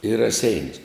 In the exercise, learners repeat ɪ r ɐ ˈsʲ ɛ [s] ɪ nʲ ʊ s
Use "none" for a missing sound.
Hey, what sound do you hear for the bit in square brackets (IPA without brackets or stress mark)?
none